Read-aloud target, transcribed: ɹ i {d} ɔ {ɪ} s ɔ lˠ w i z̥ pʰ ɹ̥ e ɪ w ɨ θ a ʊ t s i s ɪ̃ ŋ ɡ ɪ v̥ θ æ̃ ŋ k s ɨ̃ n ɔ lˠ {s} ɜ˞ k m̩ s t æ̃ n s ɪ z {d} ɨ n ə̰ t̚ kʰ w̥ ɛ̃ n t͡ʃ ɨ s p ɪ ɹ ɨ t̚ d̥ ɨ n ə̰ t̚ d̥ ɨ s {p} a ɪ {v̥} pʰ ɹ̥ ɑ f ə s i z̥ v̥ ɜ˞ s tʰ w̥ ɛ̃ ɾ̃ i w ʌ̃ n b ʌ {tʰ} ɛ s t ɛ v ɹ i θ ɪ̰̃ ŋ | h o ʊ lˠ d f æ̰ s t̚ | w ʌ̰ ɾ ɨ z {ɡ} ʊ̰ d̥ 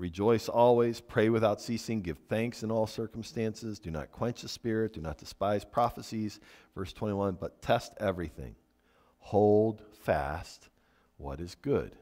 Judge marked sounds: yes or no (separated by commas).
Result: no, yes, yes, yes, yes, no, yes, yes